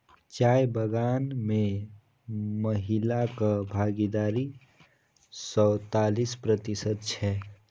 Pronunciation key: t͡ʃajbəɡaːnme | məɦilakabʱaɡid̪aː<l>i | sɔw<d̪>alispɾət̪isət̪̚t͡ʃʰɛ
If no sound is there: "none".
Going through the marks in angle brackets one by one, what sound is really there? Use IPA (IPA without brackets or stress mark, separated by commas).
ɾ, t̪